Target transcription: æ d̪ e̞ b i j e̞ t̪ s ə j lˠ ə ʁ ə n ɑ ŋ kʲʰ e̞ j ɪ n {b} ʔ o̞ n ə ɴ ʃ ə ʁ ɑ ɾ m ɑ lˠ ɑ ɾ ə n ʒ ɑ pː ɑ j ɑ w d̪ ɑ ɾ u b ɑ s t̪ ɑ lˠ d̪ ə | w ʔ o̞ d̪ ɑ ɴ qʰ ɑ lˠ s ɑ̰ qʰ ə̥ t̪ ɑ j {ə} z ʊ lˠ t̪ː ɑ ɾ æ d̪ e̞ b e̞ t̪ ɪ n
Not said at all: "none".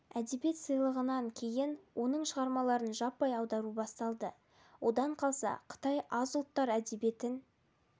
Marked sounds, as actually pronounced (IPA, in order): w, ɑ

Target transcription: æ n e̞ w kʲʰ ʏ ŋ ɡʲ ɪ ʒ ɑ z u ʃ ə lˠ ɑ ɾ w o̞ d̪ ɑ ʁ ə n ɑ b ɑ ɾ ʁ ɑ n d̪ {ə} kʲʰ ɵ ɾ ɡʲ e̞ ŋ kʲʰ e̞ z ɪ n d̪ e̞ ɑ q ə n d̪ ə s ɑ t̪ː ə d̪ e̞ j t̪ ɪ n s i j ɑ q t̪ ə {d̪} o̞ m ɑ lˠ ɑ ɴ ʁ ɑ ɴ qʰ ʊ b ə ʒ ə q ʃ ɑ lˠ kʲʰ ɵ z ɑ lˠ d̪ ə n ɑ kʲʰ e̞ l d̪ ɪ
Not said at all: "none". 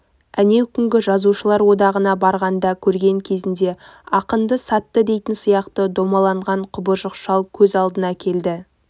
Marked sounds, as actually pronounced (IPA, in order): ɑ, d̪

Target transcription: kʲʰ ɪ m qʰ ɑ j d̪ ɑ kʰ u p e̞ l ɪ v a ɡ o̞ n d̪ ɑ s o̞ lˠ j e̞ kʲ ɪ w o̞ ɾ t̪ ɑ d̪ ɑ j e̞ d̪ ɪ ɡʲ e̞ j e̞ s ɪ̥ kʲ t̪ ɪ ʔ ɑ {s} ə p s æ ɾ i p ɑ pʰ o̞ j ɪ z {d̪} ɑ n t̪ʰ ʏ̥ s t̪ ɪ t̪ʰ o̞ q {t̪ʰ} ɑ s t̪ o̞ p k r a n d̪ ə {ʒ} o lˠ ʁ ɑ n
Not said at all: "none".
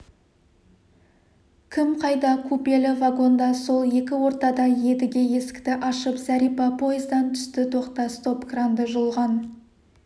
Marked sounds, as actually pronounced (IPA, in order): ʃ, d̪, t̪, ʒ

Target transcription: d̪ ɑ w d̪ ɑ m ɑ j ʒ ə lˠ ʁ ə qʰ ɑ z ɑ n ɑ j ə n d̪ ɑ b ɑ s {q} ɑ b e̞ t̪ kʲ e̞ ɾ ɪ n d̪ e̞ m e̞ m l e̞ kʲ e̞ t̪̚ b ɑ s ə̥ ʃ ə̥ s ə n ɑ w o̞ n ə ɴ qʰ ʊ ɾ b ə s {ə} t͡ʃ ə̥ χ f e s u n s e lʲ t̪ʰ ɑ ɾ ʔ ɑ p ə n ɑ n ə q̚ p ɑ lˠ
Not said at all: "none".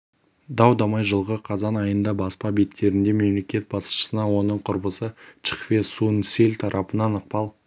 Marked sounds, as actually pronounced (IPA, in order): p, ə

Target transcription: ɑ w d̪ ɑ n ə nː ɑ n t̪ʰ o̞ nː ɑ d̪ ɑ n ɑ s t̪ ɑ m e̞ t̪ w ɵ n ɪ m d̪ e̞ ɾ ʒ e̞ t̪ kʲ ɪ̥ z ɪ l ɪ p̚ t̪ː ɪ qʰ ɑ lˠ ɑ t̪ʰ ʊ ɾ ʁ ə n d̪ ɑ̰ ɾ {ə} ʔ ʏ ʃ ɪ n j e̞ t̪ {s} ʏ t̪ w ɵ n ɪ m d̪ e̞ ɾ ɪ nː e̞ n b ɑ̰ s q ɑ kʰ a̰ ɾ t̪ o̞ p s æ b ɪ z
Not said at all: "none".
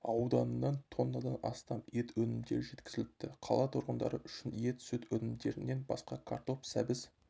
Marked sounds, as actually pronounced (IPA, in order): ə, s

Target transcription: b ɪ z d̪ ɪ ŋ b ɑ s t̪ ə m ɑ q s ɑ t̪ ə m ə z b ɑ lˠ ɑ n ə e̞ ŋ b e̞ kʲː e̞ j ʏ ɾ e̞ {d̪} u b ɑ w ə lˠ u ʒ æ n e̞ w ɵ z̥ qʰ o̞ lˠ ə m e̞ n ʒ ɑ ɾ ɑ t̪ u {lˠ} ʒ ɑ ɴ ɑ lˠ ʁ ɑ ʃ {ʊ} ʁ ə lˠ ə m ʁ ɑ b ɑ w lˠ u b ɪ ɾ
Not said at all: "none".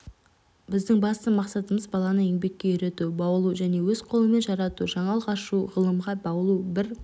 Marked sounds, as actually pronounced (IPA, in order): t̪, none, u

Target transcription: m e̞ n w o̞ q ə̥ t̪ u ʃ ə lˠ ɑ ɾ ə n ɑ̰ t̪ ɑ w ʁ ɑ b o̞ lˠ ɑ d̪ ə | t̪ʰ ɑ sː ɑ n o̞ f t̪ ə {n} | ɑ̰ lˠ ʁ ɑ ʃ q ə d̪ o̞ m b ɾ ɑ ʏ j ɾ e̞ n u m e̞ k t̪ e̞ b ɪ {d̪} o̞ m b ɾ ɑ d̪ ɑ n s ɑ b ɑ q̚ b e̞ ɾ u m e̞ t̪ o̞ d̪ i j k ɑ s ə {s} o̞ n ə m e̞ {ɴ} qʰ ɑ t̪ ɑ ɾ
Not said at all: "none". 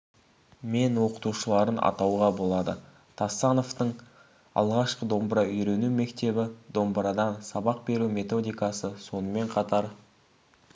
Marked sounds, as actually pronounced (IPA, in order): ɴ, d̪, s, ɴ

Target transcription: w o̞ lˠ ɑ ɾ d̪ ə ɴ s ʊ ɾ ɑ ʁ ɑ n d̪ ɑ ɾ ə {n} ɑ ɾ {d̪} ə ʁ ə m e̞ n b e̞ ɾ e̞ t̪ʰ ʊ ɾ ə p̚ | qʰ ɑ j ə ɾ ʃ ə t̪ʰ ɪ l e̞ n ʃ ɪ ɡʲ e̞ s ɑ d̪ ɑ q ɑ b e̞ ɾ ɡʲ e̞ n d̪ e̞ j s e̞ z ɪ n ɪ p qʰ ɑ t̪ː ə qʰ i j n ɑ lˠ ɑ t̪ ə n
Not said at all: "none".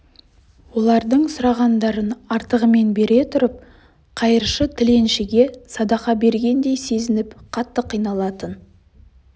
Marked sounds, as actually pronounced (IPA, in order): n, t̪

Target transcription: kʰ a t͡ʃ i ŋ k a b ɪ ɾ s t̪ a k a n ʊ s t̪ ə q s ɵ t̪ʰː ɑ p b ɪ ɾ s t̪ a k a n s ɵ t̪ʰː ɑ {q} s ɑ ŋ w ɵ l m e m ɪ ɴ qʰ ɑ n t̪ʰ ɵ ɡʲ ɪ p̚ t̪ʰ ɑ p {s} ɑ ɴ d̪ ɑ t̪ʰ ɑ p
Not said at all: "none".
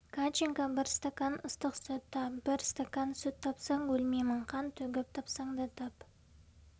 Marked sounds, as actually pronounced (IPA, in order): p, s

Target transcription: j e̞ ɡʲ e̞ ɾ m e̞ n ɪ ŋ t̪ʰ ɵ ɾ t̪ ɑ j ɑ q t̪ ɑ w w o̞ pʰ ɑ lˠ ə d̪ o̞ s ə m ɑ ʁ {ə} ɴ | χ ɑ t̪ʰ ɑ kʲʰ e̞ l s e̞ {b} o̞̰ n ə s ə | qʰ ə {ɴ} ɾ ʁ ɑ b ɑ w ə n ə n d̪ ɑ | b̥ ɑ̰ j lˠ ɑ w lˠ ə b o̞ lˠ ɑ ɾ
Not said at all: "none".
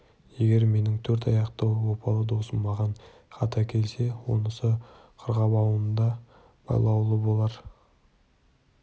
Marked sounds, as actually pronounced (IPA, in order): ɑ, w, none

